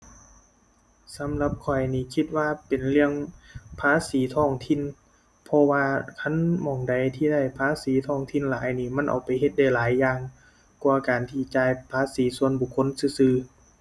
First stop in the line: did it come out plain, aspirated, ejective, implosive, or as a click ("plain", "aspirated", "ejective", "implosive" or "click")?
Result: plain